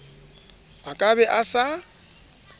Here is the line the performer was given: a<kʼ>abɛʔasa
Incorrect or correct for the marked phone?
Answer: correct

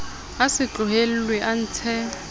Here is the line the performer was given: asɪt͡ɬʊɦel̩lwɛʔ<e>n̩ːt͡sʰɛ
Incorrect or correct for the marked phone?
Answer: incorrect: a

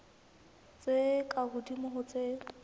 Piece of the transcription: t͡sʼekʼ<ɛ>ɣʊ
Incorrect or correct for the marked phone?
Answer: incorrect: a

